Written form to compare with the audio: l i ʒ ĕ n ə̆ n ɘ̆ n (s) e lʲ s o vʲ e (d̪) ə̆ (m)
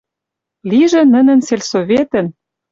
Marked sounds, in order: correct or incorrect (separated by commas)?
correct, incorrect, incorrect